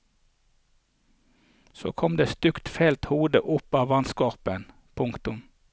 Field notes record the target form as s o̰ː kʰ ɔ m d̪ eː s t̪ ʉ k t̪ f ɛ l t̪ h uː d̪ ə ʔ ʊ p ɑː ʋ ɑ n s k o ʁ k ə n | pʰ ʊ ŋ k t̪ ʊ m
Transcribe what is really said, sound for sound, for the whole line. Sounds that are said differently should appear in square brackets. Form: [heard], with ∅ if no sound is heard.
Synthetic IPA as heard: s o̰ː kʰ ɔ m d̪ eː s t̪ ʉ k t̪ f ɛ l t̪ h uː d̪ ə ʔ ʊ p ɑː ʋ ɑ n s k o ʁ [p] ə n | pʰ ʊ ŋ k t̪ ʊ m